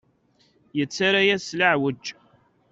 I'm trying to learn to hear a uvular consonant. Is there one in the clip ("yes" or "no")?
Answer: no